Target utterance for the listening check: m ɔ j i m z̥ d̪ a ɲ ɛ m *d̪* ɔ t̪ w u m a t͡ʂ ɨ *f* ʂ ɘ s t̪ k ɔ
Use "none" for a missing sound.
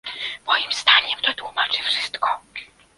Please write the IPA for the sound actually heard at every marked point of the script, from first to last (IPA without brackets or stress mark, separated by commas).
t̪, f